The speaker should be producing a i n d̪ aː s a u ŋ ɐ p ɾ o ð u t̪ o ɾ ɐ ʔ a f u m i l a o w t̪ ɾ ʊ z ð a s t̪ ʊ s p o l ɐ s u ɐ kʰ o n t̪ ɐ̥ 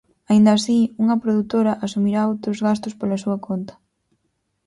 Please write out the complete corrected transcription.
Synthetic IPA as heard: a i n d̪ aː s i u ŋ ɐ p ɾ o ð u t̪ o ɾ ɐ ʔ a s u m i ɾ a o w t̪ ɾ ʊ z ɣ a s t̪ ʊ s p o l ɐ s u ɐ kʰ o n t̪ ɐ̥